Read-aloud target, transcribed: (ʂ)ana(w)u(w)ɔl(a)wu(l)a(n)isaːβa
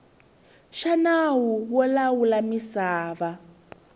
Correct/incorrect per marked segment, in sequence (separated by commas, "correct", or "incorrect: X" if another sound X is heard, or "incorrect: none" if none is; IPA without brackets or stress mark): incorrect: ʃ, correct, correct, correct, correct, incorrect: m